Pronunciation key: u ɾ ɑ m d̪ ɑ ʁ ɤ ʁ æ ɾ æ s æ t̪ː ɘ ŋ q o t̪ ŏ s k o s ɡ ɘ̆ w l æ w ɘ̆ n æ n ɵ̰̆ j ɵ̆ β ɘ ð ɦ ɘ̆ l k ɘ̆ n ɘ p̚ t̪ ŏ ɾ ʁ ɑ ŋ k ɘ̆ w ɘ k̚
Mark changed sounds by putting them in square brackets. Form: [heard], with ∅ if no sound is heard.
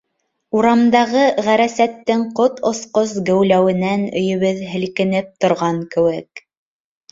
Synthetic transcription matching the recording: u ɾ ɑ m d̪ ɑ ʁ ɤ ʁ æ ɾ æ s æ t̪ː ɘ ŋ q o t̪ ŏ s [q] o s ɡ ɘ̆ w l æ w ɘ̆ n æ n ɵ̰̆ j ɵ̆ β ɘ ð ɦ ɘ̆ l k ɘ̆ n ɘ p̚ t̪ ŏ ɾ ʁ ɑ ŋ k ɘ̆ w ɘ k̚